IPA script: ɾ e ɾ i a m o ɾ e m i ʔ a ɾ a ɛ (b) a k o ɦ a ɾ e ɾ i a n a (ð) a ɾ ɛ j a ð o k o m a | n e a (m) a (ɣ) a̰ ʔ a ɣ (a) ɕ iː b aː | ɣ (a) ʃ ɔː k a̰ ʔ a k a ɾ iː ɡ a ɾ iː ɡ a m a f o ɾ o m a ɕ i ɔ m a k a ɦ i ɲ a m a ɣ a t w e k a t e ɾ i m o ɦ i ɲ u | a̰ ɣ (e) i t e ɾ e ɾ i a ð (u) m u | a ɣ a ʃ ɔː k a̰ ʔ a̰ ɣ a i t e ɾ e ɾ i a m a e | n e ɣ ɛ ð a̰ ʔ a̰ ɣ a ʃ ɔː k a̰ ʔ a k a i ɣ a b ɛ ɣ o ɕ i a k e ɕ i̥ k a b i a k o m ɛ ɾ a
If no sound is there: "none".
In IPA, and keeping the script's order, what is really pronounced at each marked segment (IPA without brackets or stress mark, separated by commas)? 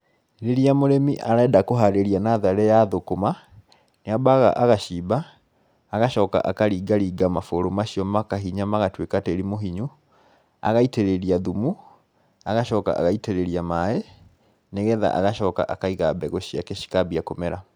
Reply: d, ð, b, ɣ, a, a, a, u